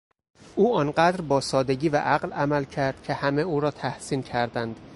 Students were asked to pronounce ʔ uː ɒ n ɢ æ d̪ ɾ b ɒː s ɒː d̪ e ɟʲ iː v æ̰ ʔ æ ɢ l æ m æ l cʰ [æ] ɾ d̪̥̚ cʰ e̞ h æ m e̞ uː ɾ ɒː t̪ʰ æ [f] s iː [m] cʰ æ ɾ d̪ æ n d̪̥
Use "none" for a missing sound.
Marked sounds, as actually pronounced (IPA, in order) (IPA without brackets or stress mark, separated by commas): æ, h, n